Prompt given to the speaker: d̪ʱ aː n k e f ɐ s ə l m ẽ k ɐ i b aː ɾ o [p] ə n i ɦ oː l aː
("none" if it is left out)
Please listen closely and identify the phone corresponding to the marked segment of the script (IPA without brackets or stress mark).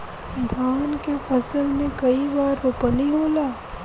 p